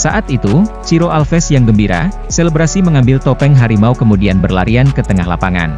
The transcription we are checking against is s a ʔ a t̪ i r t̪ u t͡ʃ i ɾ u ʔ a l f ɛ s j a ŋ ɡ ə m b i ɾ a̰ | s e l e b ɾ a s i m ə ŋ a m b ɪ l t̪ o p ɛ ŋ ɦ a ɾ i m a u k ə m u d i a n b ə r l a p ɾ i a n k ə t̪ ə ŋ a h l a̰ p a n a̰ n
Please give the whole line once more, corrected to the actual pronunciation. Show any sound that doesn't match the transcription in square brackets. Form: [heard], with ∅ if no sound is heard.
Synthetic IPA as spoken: s a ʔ a t̪ i [∅] t̪ u t͡ʃ i ɾ [o] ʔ a l f ɛ s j a ŋ ɡ ə m b i ɾ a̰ | s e l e b ɾ a s i m ə ŋ a m b ɪ l t̪ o p ɛ ŋ ɦ a ɾ i m a u k ə m u d i a n b ə r l a [∅] ɾ i a n k ə t̪ ə ŋ a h l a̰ p a [ŋ] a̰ n